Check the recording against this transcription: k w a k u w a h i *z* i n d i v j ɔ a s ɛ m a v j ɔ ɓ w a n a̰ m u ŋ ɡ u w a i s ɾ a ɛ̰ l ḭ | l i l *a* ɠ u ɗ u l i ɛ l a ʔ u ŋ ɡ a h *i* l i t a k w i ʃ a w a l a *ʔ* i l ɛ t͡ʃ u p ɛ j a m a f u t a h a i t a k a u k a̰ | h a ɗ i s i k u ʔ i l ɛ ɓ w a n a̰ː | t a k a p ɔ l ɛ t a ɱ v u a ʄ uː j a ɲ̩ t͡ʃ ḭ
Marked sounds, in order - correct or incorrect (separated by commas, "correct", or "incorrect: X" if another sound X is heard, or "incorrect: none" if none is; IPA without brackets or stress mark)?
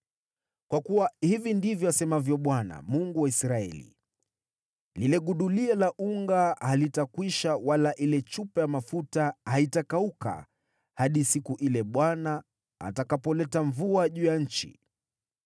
incorrect: v, incorrect: ɛ, incorrect: a, correct